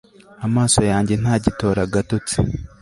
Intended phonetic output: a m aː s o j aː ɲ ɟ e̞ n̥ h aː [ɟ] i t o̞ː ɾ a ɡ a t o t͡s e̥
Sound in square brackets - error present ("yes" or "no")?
no